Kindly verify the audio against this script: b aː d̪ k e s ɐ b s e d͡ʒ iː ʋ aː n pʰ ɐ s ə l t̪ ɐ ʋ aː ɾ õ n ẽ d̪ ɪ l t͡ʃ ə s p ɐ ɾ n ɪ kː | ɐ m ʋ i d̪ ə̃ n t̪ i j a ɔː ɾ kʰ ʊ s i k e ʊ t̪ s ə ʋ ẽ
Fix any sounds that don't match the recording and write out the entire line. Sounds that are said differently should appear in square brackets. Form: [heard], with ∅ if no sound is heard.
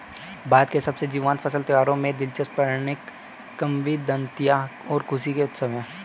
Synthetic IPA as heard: b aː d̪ k e s ɐ b s e d͡ʒ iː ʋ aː n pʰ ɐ s ə l t̪ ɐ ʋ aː ɾ õ [m] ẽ d̪ ɪ l t͡ʃ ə s p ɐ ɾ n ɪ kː | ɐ m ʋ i d̪ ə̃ n t̪ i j a ɔː ɾ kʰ ʊ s i k e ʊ t̪ s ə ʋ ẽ

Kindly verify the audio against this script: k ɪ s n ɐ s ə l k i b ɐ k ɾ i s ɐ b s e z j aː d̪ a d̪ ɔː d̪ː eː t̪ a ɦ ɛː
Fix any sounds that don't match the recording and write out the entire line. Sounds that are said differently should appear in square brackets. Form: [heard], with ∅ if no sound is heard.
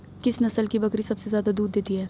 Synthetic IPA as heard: k ɪ s n ɐ s ə l k i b ɐ k ɾ i s ɐ b s e z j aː d̪ a d̪ [uː] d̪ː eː t̪ [i] ɦ ɛː

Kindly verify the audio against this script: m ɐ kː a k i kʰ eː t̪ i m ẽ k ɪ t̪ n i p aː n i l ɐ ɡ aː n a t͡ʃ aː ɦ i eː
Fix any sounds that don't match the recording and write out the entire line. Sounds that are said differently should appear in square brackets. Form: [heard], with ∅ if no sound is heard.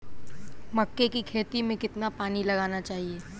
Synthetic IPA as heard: m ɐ kː [e] k i kʰ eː t̪ i m ẽ k ɪ t̪ n [a] p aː n i l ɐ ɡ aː n a t͡ʃ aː ɦ i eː

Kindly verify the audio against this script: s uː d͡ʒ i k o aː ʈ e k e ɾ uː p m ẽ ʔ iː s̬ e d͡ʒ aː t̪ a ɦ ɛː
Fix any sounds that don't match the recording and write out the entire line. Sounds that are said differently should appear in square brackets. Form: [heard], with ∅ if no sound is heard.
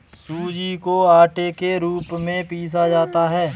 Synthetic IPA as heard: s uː d͡ʒ i k o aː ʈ e k e ɾ uː p m ẽ [p] iː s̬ [a] d͡ʒ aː t̪ a ɦ ɛː

